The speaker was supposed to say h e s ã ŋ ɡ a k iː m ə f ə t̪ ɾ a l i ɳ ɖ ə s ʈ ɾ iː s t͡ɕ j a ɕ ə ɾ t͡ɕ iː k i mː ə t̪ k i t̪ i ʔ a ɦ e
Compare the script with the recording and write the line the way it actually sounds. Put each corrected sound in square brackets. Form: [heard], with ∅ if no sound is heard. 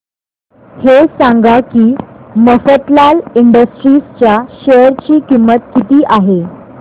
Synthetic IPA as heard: h e s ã ŋ ɡ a k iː m ə f ə t̪ [l] a l i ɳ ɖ ə s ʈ ɾ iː s t͡ɕ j a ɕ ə ɾ t͡ɕ iː k i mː ə t̪ k i t̪ [iː] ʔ a ɦ e